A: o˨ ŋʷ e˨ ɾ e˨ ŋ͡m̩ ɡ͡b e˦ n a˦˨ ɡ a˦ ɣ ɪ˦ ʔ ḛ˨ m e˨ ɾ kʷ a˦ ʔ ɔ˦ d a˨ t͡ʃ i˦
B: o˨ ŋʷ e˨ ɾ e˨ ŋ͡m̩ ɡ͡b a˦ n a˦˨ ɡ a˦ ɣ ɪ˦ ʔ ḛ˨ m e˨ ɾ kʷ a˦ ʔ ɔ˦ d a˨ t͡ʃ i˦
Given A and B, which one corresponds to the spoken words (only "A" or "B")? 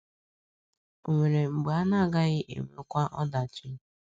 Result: B